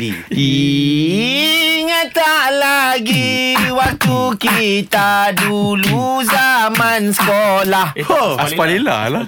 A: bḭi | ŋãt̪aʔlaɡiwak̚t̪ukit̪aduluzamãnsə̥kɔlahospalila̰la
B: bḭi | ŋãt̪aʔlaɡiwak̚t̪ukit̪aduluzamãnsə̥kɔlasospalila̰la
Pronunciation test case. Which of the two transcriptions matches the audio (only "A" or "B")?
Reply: A